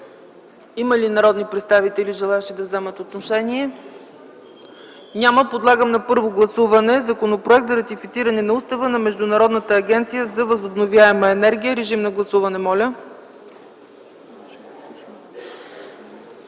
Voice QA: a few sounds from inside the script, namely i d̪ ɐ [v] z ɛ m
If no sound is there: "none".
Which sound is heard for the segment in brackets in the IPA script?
v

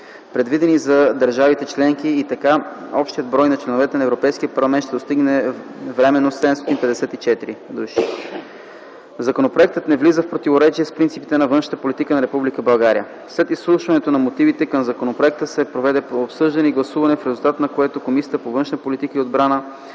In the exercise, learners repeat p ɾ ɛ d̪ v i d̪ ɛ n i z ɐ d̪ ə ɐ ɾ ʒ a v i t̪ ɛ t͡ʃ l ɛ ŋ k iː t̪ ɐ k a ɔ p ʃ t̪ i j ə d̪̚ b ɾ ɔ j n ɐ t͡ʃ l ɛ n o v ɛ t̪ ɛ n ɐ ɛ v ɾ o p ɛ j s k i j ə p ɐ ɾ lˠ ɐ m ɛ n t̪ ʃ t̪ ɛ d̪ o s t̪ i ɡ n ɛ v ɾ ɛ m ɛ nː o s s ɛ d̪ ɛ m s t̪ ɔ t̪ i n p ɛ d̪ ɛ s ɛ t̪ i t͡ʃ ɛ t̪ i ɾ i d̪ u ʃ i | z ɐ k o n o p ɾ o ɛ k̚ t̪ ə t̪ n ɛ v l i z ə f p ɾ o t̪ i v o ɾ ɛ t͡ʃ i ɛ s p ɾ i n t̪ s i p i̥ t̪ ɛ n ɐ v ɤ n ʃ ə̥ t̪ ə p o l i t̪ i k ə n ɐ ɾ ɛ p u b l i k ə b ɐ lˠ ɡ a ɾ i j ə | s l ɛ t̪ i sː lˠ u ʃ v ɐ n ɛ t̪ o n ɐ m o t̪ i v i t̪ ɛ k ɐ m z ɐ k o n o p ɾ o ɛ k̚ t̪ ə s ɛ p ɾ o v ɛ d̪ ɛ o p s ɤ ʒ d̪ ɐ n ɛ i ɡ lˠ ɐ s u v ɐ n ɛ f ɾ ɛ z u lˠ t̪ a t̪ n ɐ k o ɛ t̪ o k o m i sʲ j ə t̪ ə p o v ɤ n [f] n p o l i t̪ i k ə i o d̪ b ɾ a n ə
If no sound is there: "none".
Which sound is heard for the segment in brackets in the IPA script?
ʃ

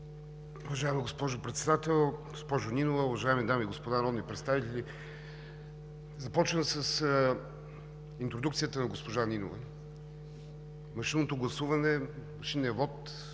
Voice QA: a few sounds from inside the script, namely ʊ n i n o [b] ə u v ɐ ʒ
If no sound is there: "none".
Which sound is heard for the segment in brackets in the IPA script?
v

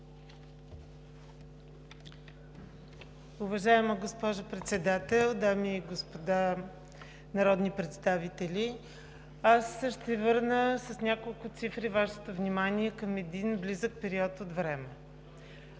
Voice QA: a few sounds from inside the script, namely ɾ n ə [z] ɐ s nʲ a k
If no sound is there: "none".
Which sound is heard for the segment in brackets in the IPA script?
s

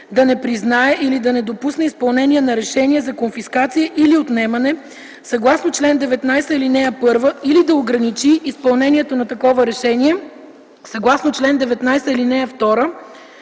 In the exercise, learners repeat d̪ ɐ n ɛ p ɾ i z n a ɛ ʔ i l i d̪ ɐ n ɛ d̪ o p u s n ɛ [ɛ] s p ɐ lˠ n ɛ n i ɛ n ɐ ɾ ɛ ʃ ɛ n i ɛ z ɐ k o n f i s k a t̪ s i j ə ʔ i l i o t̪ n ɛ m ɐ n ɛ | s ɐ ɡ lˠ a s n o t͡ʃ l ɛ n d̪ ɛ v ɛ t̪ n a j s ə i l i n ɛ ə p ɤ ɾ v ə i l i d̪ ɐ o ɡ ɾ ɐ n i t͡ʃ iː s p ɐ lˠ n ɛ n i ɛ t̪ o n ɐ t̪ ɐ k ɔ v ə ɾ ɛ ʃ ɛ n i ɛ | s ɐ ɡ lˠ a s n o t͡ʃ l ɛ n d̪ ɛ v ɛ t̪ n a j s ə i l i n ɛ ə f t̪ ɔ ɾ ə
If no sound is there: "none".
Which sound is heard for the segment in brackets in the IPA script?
i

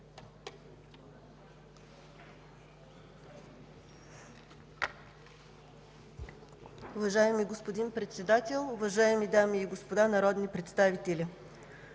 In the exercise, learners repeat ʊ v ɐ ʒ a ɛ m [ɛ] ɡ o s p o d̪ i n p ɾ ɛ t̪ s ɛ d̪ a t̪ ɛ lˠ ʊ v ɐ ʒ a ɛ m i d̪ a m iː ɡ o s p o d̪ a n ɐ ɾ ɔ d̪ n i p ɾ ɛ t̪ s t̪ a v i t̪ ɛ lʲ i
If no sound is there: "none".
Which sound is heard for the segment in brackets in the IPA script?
i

